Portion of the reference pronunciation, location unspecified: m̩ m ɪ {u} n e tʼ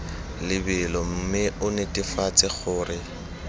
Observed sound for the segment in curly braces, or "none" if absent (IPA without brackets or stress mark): ʊ